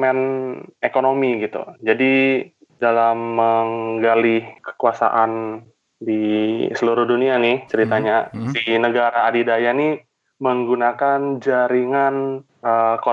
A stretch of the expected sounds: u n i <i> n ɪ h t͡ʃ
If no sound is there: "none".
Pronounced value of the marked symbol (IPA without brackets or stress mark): a